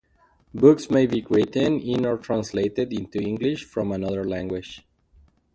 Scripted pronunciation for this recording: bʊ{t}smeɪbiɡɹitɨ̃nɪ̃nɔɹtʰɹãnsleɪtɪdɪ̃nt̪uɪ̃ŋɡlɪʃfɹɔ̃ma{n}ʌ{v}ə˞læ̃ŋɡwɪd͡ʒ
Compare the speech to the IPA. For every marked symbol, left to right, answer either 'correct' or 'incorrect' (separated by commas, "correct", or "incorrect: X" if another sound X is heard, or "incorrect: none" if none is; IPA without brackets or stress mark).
incorrect: k, correct, incorrect: ð